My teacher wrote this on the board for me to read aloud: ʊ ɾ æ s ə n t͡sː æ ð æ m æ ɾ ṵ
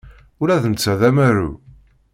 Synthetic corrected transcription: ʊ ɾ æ θ ə n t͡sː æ ð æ m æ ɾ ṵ